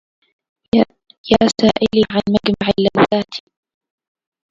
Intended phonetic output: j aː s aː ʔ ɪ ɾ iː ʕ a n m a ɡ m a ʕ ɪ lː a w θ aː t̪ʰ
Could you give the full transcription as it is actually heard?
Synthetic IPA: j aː s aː ʔ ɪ l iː ʕ a n m a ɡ m a ʕ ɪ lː a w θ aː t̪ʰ